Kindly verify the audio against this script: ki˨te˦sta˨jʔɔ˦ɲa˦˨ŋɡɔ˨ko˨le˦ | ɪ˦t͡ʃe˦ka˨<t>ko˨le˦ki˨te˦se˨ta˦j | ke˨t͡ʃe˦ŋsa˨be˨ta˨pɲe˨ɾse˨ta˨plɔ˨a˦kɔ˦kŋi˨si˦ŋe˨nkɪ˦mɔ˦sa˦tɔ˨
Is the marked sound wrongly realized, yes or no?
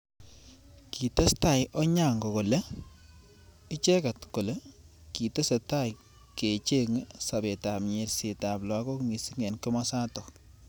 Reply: no